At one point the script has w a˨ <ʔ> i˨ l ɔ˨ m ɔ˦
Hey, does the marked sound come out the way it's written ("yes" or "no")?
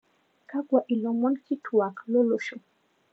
yes